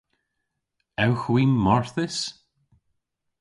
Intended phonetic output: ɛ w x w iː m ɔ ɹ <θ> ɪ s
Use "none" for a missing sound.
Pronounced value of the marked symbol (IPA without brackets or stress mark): θ